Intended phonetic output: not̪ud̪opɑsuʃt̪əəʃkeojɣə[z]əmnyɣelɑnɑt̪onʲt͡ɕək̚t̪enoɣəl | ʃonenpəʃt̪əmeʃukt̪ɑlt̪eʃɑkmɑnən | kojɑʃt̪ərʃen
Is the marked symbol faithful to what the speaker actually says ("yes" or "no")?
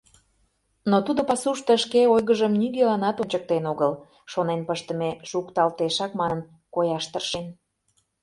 no